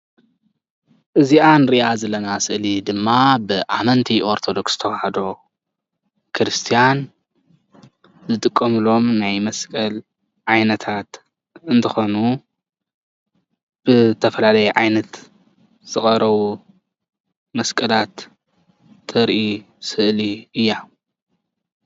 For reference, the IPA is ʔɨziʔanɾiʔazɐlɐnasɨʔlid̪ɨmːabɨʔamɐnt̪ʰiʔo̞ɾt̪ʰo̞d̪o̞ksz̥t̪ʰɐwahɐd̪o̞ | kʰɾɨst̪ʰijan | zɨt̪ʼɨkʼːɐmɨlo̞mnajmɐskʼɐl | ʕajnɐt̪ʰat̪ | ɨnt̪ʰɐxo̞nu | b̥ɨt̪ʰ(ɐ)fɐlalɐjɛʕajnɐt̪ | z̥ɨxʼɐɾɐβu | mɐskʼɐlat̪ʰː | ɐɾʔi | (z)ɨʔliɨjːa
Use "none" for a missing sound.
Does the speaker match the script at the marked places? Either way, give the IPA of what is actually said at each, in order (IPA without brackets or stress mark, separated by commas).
ɐ, s